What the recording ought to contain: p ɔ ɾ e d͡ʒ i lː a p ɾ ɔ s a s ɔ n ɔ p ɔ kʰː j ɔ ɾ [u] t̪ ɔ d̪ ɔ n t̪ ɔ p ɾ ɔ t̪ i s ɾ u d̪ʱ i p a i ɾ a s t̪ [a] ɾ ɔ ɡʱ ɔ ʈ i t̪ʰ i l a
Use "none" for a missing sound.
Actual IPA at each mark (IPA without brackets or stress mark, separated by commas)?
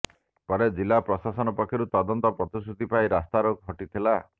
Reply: u, a